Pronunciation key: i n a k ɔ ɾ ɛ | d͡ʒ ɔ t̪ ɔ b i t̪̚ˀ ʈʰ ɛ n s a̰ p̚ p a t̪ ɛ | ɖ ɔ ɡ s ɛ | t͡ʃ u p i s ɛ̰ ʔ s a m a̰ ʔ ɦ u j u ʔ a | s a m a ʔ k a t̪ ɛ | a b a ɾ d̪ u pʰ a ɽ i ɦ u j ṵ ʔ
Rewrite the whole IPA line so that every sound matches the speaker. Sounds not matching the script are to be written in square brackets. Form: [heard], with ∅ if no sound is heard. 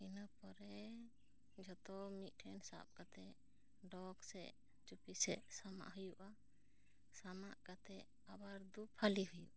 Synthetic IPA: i n a [p] ɔ ɾ ɛ | d͡ʒ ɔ t̪ ɔ [m] i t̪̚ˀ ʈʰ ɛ n s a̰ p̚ [k] a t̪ ɛ | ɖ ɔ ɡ s ɛ | t͡ʃ u p i s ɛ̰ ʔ s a m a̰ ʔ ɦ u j u ʔ a | s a m a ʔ k a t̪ ɛ | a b a ɾ d̪ u pʰ a [l] i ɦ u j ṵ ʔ